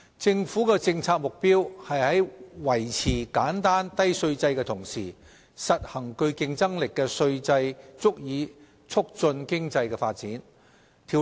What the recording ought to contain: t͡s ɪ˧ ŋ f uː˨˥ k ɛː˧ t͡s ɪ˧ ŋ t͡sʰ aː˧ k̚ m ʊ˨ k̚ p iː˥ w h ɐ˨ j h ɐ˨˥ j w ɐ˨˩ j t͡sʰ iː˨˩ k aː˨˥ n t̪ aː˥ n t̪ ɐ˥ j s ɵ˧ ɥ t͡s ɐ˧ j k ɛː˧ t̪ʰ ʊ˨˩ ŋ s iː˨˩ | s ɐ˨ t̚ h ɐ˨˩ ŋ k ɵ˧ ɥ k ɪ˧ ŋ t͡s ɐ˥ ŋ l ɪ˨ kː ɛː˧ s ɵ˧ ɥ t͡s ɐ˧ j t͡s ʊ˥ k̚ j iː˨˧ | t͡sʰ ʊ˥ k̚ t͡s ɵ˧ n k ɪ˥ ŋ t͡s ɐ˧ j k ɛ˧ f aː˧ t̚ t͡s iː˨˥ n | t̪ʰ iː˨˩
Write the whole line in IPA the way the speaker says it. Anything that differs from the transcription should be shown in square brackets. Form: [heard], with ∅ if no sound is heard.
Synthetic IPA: t͡s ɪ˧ ŋ f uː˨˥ k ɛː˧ t͡s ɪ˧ ŋ t͡sʰ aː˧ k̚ m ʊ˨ k̚ p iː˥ w h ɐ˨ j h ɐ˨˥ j w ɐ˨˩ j t͡sʰ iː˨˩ k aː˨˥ n t̪ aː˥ n t̪ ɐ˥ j s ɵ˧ ɥ t͡s ɐ˧ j k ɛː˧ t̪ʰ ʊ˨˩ ŋ s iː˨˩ | s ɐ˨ t̚ h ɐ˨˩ ŋ k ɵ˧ ɥ k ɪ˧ ŋ t͡s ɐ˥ ŋ l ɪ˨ kː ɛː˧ s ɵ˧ ɥ t͡s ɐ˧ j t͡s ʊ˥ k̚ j iː˨˧ | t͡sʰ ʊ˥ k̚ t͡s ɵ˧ n k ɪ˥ ŋ t͡s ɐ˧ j k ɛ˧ f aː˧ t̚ t͡s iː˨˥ n | t̪ʰ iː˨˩